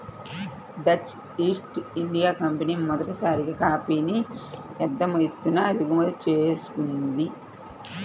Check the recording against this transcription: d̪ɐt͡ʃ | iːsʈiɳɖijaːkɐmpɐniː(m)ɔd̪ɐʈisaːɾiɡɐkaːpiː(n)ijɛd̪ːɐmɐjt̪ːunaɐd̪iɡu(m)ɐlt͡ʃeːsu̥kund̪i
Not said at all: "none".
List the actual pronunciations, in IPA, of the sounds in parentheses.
m, n, m

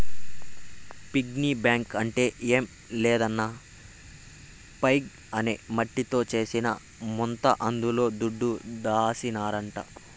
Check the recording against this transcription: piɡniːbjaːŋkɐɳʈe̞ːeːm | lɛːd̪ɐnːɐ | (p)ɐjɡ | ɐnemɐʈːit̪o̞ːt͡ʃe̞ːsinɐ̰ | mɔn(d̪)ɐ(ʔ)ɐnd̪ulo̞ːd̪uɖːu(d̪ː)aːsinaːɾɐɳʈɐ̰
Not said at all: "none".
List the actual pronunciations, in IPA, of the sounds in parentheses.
p, t̪, ʔ, d̪

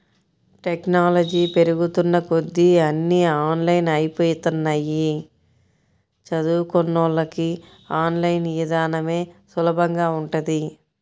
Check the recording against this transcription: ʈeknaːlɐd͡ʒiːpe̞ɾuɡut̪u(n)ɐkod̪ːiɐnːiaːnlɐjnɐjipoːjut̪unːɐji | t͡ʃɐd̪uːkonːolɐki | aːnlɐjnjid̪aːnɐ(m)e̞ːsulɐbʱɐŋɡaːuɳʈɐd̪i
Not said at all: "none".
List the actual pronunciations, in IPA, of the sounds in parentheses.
nː, m

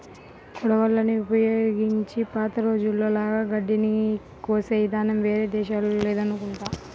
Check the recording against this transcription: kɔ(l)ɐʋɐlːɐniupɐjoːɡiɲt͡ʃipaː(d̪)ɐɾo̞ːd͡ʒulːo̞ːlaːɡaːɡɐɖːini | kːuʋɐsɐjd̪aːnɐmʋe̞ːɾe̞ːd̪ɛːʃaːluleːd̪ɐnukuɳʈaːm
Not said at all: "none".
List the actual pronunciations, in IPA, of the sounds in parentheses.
ɽ, t̪

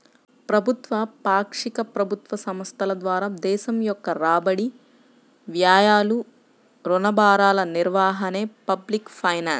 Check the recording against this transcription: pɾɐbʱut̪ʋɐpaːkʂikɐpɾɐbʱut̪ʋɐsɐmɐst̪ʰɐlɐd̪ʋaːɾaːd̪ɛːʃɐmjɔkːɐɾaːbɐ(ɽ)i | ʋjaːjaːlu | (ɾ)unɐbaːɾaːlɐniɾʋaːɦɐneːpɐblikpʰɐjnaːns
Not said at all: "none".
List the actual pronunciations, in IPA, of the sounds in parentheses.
ɽ, ɾ

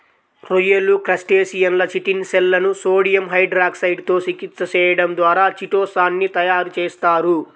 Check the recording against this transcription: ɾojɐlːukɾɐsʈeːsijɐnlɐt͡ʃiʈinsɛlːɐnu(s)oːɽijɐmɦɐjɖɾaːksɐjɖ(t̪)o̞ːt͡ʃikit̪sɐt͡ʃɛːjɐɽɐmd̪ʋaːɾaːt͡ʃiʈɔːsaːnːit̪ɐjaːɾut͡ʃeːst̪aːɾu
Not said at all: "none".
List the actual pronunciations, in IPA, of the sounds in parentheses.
s, t̪

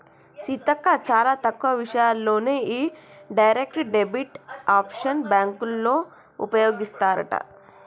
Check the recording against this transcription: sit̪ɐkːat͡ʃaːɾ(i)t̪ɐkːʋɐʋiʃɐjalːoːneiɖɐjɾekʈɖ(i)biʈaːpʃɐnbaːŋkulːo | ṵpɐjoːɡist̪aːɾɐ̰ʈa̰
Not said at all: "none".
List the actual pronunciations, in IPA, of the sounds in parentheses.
a, e

